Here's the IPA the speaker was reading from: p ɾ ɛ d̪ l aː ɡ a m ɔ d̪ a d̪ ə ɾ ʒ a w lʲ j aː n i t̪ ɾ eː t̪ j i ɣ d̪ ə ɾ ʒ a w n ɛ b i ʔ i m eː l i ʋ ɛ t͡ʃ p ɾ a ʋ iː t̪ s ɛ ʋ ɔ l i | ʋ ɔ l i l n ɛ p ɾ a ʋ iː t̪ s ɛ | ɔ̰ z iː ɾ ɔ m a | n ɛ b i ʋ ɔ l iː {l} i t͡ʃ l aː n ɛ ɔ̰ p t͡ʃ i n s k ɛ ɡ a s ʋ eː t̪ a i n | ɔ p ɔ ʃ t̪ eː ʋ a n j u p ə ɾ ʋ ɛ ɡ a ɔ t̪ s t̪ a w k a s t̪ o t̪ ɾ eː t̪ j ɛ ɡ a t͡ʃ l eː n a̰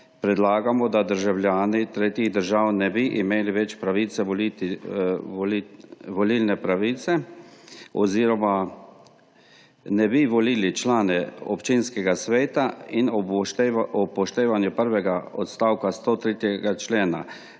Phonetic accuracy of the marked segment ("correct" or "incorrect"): correct